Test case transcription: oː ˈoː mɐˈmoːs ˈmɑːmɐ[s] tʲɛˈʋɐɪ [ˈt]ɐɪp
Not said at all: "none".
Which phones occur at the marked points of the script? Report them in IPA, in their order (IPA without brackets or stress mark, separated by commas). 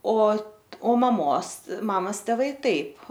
s, t